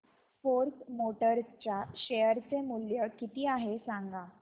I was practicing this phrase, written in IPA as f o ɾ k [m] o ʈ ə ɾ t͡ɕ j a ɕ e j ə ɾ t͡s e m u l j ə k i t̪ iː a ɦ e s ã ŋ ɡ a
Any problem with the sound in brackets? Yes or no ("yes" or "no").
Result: no